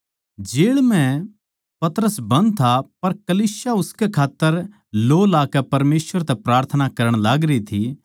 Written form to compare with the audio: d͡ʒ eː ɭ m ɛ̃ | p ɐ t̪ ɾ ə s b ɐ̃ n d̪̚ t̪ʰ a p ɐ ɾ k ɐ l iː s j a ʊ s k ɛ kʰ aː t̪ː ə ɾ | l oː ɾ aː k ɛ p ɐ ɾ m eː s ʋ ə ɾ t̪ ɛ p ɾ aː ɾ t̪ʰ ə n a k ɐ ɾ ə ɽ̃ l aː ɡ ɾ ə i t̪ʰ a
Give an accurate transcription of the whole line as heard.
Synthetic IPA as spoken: d͡ʒ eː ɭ m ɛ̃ | p ɐ t̪ ɾ ə s b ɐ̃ n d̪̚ t̪ʰ a p ɐ ɾ k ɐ l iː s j a ʊ s k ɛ kʰ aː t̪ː ə ɾ | l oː l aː k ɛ p ɐ ɾ m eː s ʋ ə ɾ t̪ ɛ p ɾ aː ɾ t̪ʰ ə n a k ɐ ɾ ə ɽ̃ l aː ɡ ɾ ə i t̪ʰ i